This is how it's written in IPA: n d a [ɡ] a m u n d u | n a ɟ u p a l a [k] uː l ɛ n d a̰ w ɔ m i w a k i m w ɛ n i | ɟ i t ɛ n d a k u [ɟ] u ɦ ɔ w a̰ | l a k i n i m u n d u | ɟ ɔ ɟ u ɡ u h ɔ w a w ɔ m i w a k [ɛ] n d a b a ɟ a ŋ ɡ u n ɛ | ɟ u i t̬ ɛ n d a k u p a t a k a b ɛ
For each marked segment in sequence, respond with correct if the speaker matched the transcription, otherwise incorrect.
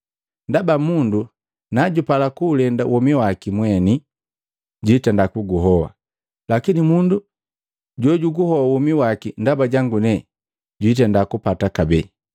incorrect: b, correct, incorrect: ɡ, incorrect: i

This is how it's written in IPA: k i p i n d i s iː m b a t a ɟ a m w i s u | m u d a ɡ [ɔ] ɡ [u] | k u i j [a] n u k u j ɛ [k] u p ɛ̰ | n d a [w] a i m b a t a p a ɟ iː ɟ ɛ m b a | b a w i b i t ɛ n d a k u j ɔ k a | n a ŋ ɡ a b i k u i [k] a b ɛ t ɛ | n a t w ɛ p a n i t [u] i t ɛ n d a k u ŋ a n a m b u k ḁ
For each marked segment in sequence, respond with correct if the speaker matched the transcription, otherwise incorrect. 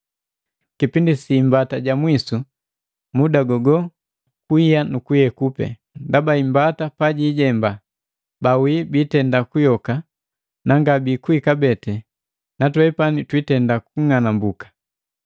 correct, incorrect: ɔ, correct, correct, incorrect: b, correct, incorrect: w

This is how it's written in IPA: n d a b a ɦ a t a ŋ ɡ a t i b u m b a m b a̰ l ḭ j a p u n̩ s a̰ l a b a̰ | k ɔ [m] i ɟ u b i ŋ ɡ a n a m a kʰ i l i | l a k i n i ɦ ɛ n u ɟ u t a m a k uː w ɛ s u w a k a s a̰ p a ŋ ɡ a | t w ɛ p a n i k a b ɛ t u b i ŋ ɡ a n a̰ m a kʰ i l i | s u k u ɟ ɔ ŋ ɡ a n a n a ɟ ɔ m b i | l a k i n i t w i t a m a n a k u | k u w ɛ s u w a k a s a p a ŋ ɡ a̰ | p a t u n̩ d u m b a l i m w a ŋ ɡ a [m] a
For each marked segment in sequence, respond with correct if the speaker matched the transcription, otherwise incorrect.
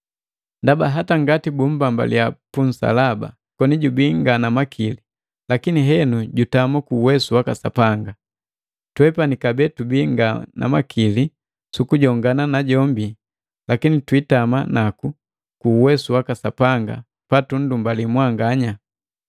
incorrect: n, incorrect: ɲ

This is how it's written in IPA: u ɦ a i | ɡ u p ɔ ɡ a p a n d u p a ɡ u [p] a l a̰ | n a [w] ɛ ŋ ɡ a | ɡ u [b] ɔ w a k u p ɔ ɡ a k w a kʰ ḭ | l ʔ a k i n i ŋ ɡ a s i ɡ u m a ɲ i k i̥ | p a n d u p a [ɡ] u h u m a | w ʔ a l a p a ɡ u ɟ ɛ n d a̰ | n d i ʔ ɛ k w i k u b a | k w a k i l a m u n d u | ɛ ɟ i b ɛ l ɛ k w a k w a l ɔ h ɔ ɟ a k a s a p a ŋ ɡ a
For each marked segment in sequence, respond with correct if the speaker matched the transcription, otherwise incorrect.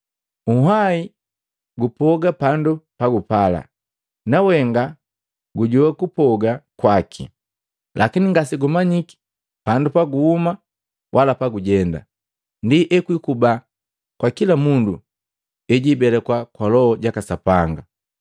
correct, correct, incorrect: ɟ, correct

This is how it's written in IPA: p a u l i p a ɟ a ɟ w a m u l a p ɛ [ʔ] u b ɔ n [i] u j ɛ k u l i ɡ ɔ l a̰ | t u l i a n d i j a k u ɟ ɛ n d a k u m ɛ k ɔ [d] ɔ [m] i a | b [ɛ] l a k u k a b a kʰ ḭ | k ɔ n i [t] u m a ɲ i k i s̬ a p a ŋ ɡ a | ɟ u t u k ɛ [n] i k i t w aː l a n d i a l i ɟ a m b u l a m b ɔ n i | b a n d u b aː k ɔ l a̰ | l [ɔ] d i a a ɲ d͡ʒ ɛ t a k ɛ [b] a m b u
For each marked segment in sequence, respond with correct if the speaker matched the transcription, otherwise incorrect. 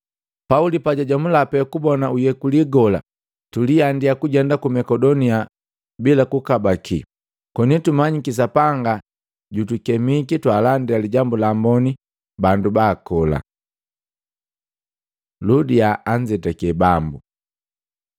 incorrect: k, incorrect: a, correct, incorrect: n, incorrect: i, correct, incorrect: m, incorrect: u, correct

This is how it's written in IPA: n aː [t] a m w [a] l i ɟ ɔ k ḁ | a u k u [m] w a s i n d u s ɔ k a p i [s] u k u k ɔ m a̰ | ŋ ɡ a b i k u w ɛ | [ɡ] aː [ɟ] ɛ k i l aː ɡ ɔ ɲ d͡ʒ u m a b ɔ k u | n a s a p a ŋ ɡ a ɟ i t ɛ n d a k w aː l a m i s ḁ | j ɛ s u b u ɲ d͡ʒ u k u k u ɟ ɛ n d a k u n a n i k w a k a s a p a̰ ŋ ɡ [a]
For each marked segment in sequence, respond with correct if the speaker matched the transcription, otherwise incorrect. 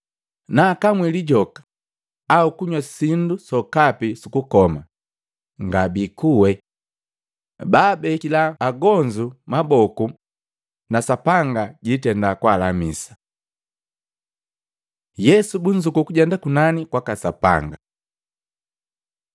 incorrect: k, incorrect: i, incorrect: ɲ, correct, incorrect: b, incorrect: b, correct

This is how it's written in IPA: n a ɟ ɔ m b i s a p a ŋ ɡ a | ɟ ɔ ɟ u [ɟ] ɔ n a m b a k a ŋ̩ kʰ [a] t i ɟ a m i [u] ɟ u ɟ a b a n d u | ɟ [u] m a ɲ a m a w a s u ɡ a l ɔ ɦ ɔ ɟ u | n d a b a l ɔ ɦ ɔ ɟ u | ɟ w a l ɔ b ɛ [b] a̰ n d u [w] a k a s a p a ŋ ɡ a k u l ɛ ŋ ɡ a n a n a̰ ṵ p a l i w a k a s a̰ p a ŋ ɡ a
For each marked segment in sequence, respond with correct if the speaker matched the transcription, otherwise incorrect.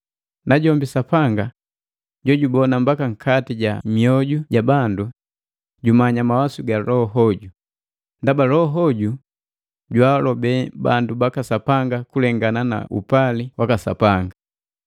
incorrect: b, correct, incorrect: ɔ, correct, correct, incorrect: b

